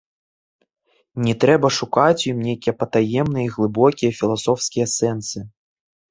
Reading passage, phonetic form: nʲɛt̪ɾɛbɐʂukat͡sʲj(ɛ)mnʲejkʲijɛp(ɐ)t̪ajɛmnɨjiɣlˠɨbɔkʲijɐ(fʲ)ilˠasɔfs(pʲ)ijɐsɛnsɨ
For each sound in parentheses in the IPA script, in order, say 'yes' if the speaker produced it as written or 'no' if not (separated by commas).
no, yes, yes, no